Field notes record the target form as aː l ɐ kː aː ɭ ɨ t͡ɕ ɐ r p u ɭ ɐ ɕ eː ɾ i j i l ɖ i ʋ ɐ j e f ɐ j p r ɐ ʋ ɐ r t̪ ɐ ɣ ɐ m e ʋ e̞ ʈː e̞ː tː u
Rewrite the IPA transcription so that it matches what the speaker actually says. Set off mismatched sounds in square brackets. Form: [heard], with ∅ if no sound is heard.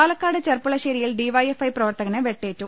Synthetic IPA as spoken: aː l ɐ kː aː [ɽ] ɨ t͡ɕ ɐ r p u ɭ ɐ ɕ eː ɾ i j i l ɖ i ʋ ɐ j e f ɐ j p r ɐ ʋ ɐ r t̪ ɐ ɣ ɐ [n] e ʋ e̞ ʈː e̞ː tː u